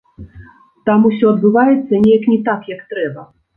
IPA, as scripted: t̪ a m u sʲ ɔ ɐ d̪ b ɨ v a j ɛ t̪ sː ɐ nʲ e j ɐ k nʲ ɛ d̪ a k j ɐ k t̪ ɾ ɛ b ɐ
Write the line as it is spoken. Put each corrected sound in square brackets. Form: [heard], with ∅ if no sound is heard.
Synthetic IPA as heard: t̪ a m u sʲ ɔ ɐ d̪ b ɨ v a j ɛ t̪ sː ɐ nʲ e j ɐ k nʲ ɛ [t̪] a k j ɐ k t̪ ɾ ɛ b ɐ